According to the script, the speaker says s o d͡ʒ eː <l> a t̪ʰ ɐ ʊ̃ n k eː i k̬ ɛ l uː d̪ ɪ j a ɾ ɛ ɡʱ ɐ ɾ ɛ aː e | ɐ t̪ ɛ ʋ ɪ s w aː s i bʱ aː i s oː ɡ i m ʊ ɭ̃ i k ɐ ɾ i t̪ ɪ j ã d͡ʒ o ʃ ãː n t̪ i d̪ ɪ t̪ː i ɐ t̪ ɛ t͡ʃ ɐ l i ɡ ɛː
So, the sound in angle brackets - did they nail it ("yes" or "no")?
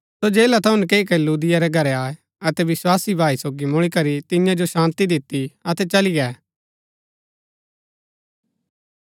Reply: yes